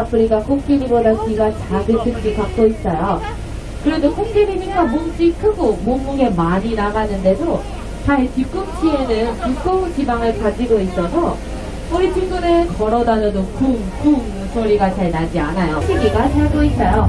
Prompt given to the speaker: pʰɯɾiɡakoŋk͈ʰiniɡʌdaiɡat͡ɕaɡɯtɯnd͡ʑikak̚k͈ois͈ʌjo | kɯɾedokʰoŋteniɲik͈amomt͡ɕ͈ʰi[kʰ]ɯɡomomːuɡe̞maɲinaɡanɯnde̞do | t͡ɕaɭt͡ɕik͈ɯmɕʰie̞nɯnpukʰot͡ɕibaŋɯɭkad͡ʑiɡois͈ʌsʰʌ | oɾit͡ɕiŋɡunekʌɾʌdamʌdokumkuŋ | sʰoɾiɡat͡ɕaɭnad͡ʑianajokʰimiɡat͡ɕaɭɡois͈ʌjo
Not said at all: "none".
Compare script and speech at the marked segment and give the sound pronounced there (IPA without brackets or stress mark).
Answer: kʰ